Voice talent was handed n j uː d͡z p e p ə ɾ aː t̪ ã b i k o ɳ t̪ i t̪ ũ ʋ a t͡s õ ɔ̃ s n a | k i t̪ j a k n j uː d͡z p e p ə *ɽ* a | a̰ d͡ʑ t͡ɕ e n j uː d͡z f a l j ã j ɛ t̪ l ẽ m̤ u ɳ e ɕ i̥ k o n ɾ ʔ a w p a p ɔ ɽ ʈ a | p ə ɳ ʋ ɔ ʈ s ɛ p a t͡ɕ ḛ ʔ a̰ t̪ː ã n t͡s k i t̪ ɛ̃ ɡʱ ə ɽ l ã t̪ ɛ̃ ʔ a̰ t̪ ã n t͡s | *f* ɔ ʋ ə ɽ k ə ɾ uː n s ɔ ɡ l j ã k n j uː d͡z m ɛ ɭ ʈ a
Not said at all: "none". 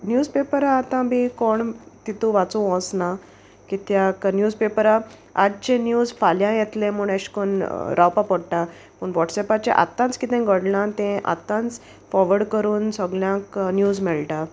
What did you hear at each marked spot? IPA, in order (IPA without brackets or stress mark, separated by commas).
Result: ɾ, f